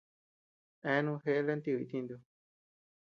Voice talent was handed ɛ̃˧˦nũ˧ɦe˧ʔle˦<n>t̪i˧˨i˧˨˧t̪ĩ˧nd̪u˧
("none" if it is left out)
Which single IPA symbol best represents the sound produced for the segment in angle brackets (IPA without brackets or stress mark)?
n